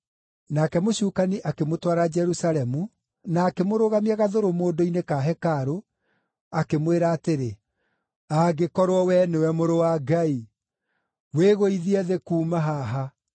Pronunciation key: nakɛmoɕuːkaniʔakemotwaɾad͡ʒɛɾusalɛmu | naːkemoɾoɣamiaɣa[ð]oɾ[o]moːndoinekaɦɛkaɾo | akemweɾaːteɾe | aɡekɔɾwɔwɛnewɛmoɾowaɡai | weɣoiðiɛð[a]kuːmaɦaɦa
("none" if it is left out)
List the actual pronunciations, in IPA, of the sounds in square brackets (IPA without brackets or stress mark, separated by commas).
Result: ð, o, e